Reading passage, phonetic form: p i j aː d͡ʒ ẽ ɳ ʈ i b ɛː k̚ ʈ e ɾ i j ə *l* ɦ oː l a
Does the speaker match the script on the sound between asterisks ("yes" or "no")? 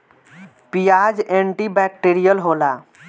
yes